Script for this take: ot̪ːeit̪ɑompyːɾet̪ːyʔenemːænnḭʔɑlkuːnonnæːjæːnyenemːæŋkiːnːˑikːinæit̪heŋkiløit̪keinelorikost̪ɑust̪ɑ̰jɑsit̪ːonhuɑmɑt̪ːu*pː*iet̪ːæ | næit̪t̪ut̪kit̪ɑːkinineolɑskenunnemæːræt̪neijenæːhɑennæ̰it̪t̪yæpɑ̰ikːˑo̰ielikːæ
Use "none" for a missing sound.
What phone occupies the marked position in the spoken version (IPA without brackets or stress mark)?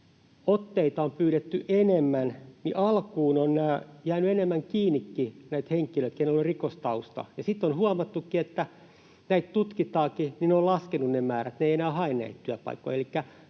kː